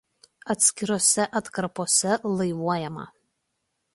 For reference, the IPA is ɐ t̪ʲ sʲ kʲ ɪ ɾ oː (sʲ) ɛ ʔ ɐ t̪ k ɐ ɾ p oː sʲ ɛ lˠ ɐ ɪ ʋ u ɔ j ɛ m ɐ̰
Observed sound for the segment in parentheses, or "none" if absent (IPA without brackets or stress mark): sʲ